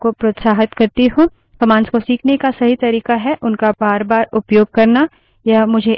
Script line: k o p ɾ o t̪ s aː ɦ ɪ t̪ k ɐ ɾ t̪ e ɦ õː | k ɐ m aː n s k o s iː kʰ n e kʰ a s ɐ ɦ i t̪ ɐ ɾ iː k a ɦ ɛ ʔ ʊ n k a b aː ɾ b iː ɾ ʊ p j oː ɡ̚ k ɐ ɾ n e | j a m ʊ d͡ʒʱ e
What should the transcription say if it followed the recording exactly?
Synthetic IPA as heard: k o p ɾ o t̪ s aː ɦ ɪ t̪ k ɐ ɾ t̪ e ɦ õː | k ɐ m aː n s k o s iː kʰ n e k a s ɐ ɦ i t̪ ɐ ɾ iː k a ɦ ɛ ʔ ʊ n k a b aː ɾ b aː ɾ ʊ p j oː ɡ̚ k ɐ ɾ n a | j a m ʊ d͡ʒʱ e